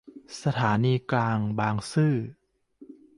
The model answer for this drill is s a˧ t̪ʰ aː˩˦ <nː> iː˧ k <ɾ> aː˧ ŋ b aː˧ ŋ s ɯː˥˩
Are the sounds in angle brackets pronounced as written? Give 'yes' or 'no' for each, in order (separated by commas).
no, no